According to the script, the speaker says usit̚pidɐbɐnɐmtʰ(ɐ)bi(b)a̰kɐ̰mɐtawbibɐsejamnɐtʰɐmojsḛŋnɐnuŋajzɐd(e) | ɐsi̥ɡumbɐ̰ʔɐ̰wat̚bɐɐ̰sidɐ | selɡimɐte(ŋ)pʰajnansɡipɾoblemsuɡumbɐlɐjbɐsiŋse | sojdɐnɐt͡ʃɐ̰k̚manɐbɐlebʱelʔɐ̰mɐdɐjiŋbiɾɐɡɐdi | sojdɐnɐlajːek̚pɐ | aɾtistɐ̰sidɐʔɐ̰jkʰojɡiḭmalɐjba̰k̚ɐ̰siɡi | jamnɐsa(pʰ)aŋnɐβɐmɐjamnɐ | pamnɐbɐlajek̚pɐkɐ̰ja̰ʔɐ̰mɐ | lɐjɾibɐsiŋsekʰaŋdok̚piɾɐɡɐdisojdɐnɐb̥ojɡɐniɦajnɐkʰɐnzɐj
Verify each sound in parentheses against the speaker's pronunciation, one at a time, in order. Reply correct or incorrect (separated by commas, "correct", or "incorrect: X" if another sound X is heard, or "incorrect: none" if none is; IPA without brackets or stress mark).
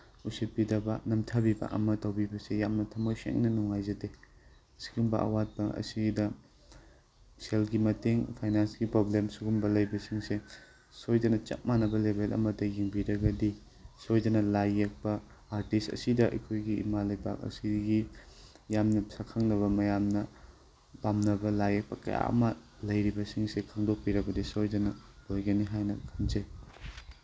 incorrect: a, correct, correct, correct, incorrect: kʰ